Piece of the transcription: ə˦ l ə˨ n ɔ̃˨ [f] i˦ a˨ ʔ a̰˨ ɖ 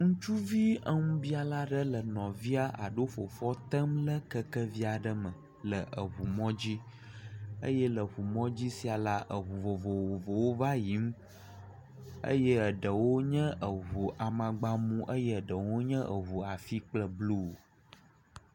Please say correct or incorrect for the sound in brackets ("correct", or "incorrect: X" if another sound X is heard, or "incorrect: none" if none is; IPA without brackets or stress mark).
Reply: incorrect: v